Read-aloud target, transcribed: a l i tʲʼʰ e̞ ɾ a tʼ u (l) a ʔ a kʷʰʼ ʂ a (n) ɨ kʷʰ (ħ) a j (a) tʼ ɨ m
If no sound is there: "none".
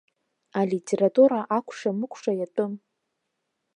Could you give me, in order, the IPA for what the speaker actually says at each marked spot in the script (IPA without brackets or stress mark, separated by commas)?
ɾ, m, ʂ, a